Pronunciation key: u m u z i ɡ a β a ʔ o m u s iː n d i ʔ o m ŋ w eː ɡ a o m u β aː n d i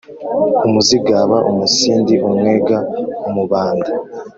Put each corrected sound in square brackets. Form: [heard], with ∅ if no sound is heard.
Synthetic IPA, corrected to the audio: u m u z i ɡ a β a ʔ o m u s iː n d i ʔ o m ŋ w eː ɡ a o m u β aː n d [a]